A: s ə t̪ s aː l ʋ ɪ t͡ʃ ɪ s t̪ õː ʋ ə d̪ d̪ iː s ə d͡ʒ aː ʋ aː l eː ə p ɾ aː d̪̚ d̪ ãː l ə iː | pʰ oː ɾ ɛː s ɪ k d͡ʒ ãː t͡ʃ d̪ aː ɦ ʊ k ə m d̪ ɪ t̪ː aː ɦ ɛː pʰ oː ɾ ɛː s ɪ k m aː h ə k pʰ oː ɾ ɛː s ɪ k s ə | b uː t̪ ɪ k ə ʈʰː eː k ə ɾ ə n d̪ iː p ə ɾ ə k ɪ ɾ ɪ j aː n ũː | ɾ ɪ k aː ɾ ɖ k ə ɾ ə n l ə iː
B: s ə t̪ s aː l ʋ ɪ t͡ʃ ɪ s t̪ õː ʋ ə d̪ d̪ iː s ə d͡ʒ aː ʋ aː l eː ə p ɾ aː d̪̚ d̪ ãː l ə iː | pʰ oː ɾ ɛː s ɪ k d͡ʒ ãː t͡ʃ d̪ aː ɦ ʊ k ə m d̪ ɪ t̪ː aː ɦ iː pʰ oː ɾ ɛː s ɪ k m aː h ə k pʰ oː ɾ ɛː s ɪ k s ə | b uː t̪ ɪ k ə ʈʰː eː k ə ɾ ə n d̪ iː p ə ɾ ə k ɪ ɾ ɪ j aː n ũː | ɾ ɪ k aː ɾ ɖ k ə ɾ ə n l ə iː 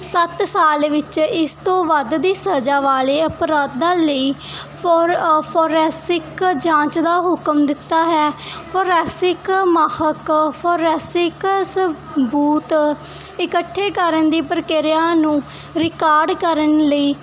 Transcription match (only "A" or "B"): A